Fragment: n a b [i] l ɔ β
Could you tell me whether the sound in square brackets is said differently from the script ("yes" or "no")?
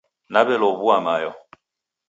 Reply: yes